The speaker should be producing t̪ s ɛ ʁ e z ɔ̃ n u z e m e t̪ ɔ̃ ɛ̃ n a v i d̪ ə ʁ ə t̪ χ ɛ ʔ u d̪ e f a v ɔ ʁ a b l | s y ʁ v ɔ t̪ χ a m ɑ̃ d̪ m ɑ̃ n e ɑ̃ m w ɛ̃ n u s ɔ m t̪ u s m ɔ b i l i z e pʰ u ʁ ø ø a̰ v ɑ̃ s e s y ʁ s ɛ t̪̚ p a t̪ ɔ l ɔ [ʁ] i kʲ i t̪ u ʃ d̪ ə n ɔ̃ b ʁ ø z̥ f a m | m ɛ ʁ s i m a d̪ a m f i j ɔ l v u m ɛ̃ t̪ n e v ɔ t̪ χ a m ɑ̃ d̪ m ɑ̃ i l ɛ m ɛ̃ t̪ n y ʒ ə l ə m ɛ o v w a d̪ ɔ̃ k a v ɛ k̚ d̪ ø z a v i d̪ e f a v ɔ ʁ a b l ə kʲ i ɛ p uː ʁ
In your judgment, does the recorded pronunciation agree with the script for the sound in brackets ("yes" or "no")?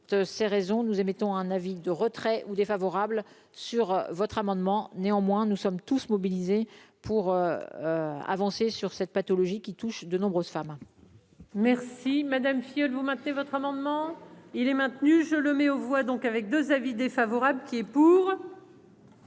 no